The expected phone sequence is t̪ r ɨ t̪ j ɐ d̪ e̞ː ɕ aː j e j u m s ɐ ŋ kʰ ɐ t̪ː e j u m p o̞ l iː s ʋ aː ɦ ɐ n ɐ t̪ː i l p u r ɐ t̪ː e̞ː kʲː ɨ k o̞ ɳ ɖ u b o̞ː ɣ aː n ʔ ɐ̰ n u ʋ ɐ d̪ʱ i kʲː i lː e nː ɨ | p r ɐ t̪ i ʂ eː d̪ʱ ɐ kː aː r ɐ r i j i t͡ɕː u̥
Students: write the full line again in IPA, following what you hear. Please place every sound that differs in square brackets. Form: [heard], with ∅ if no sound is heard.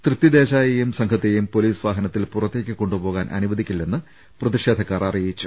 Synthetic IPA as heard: t̪ r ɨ t̪ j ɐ d̪ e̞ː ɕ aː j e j u m s ɐ ŋ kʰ ɐ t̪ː e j u m p o̞ l iː s ʋ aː ɦ ɐ n ɐ t̪ː i l p u r ɐ t̪ː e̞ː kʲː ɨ k o̞ ɳ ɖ u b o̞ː ɣ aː n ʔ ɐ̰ n u ʋ ɐ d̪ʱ i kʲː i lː e nː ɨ | p r ɐ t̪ i ʂ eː d̪ʱ ɐ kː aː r ɐ r i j i t͡ɕː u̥